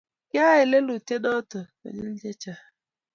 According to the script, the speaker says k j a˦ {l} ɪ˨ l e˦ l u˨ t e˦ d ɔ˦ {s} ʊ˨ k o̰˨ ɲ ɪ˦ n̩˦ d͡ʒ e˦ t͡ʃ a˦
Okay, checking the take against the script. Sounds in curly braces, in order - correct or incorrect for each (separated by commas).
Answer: incorrect, incorrect